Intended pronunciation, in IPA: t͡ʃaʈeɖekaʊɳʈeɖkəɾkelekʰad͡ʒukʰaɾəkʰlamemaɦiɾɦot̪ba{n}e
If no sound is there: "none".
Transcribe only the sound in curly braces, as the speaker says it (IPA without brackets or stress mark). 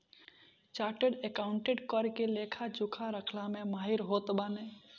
n